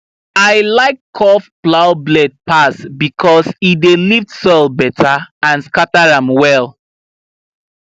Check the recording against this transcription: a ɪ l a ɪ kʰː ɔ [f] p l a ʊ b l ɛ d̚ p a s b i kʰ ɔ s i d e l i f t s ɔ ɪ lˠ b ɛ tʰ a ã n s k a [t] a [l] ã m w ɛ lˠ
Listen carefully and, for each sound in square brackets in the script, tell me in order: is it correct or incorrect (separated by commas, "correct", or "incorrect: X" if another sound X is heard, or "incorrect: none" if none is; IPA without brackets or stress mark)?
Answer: correct, correct, incorrect: ɹ